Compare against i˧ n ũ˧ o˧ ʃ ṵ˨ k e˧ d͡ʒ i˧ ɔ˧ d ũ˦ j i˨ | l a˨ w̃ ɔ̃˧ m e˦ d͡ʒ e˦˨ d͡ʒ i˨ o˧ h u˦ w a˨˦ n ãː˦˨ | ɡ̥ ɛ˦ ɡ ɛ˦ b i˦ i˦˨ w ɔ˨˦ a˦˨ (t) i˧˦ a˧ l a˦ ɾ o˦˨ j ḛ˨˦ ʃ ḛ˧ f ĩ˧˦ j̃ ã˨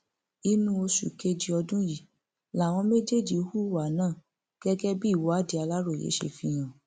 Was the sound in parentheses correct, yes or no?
no